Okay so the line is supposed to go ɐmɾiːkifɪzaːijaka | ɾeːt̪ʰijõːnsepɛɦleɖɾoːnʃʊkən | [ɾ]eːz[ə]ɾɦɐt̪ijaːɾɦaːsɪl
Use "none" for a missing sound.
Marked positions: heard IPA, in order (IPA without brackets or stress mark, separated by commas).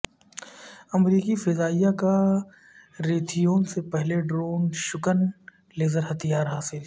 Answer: l, ə